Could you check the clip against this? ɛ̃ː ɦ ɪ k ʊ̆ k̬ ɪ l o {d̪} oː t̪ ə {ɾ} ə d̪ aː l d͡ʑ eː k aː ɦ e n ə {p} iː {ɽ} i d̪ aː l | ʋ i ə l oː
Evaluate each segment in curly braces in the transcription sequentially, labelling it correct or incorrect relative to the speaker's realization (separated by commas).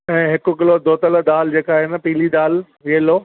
correct, incorrect, correct, incorrect